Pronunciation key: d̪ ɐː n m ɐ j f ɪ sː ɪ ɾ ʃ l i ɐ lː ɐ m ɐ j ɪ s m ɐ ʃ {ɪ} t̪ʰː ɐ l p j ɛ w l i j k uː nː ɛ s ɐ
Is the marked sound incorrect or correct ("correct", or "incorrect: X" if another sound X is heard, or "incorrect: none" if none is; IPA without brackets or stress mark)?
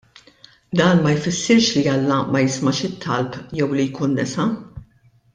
correct